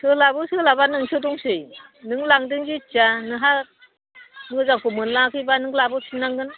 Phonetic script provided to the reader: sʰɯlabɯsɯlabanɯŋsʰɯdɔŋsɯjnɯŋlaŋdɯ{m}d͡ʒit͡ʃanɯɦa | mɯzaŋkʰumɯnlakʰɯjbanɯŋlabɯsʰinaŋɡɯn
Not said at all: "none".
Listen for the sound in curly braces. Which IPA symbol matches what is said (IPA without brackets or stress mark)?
ŋ